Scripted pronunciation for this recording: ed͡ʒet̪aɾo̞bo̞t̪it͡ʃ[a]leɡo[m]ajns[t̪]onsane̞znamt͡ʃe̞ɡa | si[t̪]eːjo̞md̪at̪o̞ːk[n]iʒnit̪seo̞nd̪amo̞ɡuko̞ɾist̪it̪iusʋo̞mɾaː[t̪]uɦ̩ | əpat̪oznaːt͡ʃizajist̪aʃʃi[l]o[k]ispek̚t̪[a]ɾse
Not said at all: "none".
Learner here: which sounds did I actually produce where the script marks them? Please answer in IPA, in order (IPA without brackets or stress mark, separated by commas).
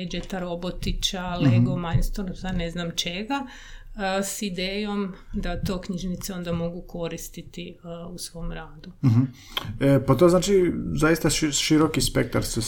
a, m, t̪, d̪, ɲ, d̪, ɾ, k, a